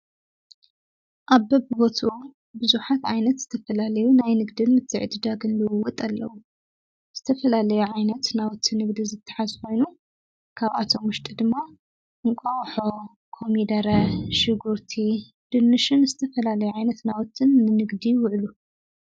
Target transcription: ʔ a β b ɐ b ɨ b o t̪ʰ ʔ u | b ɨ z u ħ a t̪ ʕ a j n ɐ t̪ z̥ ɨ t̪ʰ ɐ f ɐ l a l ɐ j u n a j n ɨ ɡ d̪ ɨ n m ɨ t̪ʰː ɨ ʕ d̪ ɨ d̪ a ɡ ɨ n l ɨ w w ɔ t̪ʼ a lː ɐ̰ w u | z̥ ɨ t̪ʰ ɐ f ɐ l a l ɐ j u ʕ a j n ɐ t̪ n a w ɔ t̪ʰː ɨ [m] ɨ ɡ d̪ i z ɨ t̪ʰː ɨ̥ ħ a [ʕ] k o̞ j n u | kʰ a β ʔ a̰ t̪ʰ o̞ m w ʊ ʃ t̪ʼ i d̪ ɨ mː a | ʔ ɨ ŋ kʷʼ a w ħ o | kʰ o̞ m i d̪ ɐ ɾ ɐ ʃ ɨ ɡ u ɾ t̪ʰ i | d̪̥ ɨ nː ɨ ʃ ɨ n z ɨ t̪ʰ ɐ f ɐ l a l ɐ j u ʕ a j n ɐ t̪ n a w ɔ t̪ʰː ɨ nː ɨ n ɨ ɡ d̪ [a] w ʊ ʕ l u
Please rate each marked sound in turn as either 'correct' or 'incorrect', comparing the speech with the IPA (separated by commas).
incorrect, incorrect, incorrect